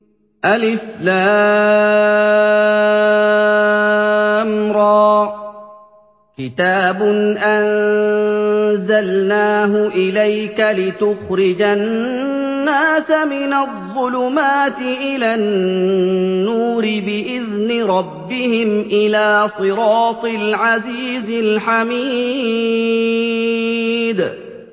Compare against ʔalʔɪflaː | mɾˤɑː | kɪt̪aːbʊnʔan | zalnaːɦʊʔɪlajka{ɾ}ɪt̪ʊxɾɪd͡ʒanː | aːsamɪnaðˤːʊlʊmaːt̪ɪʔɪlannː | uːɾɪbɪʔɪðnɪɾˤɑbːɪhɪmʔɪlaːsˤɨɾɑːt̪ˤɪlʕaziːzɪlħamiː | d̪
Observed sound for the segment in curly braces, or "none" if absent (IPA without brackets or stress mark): l